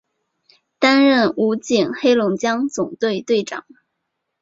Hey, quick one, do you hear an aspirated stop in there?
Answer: no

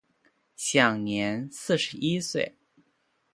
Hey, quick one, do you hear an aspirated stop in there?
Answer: no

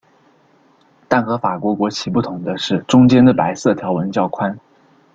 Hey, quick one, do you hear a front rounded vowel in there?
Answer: no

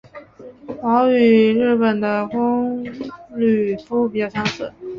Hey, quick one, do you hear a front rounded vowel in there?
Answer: yes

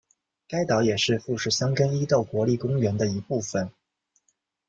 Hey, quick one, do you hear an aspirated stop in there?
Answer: no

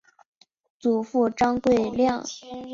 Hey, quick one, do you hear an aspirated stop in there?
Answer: no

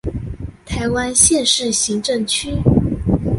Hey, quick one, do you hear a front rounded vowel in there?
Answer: yes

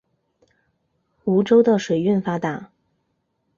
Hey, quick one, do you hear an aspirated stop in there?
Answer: no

